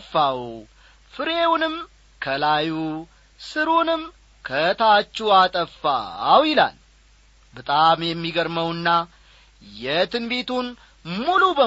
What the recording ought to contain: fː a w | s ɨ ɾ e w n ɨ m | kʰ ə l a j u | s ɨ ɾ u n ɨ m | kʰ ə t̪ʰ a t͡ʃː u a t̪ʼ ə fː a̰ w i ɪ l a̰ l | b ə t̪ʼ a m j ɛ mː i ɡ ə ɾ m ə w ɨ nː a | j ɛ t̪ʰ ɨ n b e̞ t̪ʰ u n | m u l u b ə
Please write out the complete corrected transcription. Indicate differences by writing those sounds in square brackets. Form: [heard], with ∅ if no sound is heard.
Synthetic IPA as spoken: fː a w | [f] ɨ ɾ e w n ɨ m | kʰ ə l a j u | s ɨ ɾ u n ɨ m | kʰ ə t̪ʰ a t͡ʃː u a t̪ʼ ə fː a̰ w [j] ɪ l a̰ l | b ə t̪ʼ a m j ɛ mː i ɡ ə ɾ m ə w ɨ nː a | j ɛ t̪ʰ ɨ n b e̞ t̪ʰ u n | m u l u b ə